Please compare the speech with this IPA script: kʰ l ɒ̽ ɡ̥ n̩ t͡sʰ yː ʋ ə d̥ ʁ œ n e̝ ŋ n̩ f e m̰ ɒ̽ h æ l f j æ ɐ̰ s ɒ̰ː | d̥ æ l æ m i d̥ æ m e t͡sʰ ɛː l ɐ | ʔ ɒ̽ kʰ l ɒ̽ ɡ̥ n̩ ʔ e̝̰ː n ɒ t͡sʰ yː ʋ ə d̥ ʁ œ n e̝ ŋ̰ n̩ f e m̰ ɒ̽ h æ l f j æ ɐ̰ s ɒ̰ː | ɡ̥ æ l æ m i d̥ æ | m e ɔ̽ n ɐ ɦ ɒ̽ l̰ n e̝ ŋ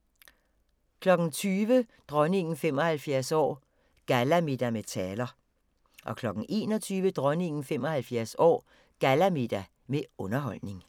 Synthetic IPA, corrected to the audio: kʰ l ɒ̽ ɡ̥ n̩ t͡sʰ yː ʋ ə d̥ ʁ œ n e̝ ŋ n̩ f e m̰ ɒ̽ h æ l f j æ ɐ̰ s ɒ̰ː | ɡ̥ æ l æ m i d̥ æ m e t͡sʰ ɛː l ɐ | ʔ ɒ̽ kʰ l ɒ̽ ɡ̥ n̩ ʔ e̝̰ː n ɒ t͡sʰ yː ʋ ə d̥ ʁ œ n e̝ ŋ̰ n̩ f e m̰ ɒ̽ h æ l f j æ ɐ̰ s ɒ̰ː | ɡ̥ æ l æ m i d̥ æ | m e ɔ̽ n ɐ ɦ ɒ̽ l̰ n e̝ ŋ